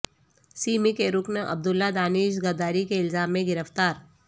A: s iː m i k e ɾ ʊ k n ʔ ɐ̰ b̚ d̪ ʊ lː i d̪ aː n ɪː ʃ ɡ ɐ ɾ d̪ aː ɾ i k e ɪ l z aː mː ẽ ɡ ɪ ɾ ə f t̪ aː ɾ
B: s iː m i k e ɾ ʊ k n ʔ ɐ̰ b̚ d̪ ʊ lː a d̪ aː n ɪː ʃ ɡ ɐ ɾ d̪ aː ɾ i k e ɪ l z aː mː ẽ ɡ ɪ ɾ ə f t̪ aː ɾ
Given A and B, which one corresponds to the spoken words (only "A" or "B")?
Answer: B